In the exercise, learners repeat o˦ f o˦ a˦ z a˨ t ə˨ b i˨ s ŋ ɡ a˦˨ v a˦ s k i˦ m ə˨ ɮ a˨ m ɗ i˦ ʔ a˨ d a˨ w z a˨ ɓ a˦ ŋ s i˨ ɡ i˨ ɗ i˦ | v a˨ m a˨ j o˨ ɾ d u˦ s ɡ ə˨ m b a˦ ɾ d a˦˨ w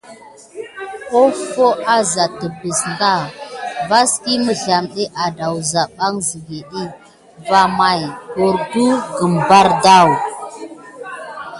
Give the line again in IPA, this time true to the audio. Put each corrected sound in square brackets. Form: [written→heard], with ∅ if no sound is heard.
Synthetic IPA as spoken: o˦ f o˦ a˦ z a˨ t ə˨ b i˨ s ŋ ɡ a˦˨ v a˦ s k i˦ m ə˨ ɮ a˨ m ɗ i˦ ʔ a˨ d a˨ w z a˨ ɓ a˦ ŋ [s→z] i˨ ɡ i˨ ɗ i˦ | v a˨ m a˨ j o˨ ɾ d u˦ [s→∅] ɡ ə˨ m b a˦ ɾ d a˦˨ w